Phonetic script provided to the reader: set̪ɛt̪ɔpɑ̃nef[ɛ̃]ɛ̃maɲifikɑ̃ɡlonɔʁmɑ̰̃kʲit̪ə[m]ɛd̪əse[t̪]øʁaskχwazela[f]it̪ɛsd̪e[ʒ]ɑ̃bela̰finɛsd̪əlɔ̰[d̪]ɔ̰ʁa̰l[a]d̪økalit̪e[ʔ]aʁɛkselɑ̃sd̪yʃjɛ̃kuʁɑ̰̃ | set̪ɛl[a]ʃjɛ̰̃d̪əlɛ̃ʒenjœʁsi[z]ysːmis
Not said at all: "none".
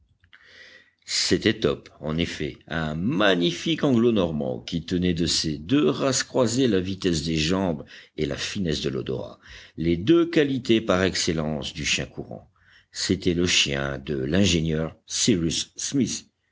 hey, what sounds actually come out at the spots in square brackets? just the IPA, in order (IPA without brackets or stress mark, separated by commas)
ɛ, n, d̪, v, ʒ, d̪, e, p, ə, ʁ